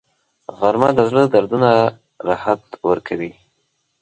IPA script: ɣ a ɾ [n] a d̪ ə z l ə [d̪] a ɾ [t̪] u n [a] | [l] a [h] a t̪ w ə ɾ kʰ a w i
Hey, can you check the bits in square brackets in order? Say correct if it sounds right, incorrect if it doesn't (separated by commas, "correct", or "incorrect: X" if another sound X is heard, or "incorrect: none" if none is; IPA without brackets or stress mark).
incorrect: m, correct, incorrect: d̪, correct, incorrect: ɾ, correct